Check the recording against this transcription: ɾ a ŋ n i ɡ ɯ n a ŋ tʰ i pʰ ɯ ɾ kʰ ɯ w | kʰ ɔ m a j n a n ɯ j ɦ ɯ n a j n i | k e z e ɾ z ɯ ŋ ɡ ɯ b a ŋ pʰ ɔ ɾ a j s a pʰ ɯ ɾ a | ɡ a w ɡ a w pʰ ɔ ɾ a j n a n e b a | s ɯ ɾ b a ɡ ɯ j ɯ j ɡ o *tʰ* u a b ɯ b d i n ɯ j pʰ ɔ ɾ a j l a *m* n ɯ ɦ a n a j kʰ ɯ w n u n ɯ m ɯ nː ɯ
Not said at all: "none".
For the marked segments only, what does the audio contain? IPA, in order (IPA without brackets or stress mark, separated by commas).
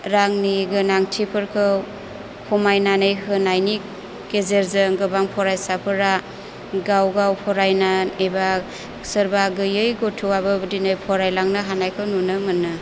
tʰ, ŋ